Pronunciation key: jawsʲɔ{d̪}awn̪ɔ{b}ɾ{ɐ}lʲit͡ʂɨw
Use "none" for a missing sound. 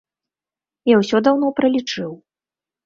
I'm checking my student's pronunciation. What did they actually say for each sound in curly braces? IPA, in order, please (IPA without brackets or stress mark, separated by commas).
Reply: d̪, p, ɐ